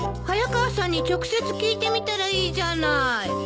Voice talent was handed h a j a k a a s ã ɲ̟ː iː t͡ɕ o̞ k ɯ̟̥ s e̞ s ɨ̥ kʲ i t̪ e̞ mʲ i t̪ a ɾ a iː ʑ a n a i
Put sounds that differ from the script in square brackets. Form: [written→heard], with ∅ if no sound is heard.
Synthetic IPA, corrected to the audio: h a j a k a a s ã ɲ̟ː [iː→i] t͡ɕ o̞ k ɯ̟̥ s e̞ [s→t͡s] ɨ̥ kʲ [i→iː] t̪ e̞ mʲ i t̪ a ɾ a iː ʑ a n a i